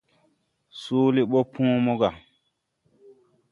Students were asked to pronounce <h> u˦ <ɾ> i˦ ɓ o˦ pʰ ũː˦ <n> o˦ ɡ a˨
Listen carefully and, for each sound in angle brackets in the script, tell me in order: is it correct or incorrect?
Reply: incorrect: s, incorrect: l, incorrect: m

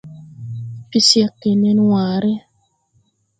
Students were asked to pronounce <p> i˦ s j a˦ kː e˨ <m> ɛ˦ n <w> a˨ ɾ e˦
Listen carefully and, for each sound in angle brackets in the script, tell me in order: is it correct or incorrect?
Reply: correct, incorrect: n, correct

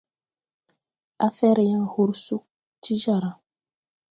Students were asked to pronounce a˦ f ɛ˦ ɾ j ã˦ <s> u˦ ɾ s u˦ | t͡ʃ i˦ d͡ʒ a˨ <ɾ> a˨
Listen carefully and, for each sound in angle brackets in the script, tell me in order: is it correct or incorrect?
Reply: incorrect: h, correct

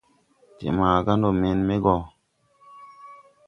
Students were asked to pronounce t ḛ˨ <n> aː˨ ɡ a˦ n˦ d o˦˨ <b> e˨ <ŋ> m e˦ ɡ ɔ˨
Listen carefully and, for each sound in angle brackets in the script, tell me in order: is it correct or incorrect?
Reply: incorrect: m, incorrect: m, incorrect: n

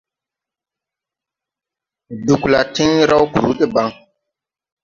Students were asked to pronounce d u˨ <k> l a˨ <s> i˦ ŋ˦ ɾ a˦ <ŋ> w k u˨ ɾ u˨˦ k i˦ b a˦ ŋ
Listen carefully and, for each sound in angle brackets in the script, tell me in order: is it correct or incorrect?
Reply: correct, incorrect: t, incorrect: none

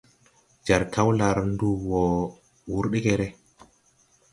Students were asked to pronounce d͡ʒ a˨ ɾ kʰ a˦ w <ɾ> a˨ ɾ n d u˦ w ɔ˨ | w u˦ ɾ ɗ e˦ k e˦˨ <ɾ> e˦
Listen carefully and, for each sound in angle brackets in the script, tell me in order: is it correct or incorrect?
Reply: incorrect: l, correct

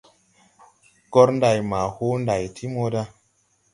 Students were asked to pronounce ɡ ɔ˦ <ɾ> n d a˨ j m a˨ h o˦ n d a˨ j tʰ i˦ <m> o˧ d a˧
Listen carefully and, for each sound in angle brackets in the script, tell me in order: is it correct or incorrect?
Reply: correct, correct

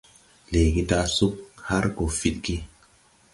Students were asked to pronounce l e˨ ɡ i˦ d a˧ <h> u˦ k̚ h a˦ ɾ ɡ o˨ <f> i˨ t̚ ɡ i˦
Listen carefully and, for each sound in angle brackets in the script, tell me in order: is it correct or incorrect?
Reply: incorrect: s, correct

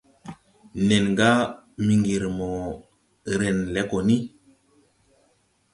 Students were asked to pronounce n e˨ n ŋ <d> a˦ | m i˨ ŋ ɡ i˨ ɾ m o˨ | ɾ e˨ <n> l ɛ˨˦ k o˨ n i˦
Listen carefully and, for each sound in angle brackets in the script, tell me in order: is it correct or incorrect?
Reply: incorrect: ɡ, correct

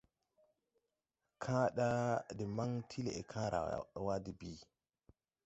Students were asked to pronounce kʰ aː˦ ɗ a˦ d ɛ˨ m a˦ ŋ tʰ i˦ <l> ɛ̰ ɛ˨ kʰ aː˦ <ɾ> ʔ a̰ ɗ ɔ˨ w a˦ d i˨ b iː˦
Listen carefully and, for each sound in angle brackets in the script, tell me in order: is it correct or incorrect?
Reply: correct, correct

